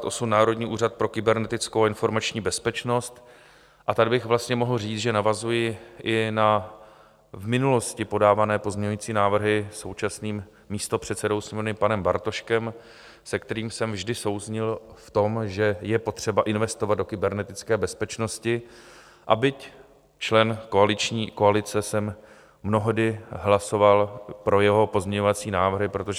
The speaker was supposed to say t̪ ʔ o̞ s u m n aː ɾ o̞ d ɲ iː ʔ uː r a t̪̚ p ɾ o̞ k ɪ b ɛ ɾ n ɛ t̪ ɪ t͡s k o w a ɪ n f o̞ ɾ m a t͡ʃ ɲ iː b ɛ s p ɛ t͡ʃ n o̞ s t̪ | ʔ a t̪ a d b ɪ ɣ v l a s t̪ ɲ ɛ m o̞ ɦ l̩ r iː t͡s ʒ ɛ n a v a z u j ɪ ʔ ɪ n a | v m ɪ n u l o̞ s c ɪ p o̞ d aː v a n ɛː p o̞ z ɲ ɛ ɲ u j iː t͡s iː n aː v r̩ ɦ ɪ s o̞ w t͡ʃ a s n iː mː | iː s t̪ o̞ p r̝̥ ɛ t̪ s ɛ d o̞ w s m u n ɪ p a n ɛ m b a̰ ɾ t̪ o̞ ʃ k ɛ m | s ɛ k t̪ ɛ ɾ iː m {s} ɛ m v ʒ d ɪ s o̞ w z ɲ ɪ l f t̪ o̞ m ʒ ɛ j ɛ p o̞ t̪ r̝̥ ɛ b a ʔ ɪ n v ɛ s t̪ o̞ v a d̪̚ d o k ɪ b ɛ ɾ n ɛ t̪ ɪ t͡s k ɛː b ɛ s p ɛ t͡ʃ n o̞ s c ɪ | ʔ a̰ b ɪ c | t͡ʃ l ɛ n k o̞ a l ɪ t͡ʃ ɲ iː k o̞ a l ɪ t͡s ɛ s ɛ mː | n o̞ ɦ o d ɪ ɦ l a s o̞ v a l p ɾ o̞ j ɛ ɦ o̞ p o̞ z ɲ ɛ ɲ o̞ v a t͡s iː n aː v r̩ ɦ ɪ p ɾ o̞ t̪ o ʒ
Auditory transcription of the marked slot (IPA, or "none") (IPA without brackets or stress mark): s